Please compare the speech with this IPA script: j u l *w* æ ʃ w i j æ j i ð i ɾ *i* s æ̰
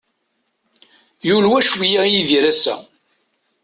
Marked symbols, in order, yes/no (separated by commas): yes, no